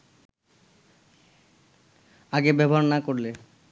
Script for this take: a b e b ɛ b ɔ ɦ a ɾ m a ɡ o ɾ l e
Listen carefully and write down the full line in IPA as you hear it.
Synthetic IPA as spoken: a ɡ e b ɛ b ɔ ɦ a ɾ n a k o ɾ l e